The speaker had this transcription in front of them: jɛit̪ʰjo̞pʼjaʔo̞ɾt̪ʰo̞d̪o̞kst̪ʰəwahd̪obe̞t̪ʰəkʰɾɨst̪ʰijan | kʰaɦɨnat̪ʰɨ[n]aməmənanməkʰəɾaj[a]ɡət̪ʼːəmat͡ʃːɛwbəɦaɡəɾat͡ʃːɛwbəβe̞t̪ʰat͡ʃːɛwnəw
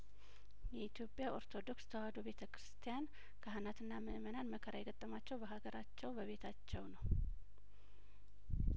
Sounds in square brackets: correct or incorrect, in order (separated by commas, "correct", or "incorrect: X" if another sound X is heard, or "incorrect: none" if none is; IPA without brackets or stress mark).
incorrect: nː, incorrect: ɛ